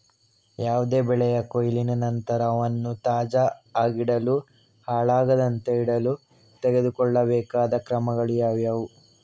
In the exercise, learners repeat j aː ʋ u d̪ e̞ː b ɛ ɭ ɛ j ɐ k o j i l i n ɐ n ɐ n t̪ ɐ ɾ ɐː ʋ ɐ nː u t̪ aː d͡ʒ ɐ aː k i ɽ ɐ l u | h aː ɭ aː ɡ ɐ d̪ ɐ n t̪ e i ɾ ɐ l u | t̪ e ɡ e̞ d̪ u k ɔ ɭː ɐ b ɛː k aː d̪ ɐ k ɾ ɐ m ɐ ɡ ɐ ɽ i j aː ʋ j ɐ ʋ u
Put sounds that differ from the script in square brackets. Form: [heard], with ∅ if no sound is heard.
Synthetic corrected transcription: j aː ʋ u d̪ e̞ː b ɛ ɭ ɛ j ɐ k o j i l i n ɐ n ɐ n t̪ ɐ ɾ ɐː ʋ ɐ nː u t̪ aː d͡ʒ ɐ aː [ɡ] i ɽ ɐ l u | h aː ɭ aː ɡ ɐ d̪ ɐ n t̪ e i [ɽ] ɐ l u | t̪ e ɡ e̞ d̪ u k ɔ ɭː ɐ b ɛː k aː d̪ ɐ k ɾ ɐ m ɐ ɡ ɐ [ɭ] i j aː ʋ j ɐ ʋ u